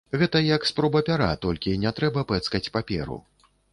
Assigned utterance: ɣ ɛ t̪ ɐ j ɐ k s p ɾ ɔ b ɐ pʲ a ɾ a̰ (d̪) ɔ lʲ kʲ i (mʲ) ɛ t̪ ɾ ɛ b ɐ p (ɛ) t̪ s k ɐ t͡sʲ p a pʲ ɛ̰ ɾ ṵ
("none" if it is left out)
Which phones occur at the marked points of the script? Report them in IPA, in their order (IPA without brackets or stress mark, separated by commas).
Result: t̪, nʲ, ɛ